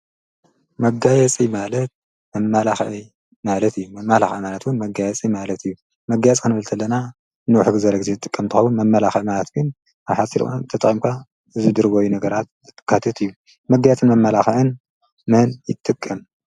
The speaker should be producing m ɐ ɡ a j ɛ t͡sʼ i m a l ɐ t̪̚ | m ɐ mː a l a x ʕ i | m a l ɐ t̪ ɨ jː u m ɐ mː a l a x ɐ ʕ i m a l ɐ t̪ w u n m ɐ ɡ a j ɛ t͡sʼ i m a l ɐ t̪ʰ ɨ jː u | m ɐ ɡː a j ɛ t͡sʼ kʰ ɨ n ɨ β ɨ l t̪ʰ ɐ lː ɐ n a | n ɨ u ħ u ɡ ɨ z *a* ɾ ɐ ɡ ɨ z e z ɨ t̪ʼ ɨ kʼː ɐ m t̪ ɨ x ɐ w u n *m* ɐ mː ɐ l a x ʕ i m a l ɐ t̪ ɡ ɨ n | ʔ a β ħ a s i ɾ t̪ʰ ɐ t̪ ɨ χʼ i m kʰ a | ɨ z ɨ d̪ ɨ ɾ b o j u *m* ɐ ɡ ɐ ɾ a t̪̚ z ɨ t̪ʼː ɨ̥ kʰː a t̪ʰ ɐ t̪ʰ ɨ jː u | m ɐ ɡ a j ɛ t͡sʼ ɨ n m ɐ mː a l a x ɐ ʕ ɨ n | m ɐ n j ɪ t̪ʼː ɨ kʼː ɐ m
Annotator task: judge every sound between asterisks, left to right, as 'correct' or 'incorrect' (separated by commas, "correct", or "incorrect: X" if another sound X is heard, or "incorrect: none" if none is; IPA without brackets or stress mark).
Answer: incorrect: ɐ, correct, incorrect: n